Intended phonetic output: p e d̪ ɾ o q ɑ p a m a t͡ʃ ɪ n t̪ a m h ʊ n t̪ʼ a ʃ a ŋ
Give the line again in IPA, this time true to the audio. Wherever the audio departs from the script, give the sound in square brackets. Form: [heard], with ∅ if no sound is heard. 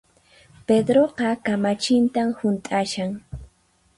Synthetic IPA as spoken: p e d̪ ɾ o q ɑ [k] a m a t͡ʃ ɪ n t̪ a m h ʊ n t̪ʼ a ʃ a ŋ